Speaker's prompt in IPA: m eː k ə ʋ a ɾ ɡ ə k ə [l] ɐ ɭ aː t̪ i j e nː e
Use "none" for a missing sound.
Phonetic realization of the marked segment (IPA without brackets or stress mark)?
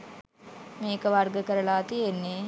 ɾ